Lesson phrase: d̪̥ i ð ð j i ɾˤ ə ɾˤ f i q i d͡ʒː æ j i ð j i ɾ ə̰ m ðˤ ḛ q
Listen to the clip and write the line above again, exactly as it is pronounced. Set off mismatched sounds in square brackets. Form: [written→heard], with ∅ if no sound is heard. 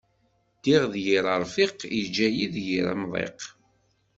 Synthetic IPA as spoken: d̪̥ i [ð→ʁ] ð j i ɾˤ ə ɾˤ f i q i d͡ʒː æ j i ð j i ɾ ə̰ m ðˤ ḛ q